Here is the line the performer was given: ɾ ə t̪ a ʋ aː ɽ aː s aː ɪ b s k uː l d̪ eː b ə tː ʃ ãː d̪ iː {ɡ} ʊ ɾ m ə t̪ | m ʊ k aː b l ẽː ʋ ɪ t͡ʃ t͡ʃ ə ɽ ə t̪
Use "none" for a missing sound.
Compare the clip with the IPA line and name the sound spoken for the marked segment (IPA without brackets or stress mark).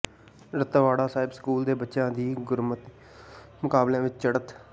ɡ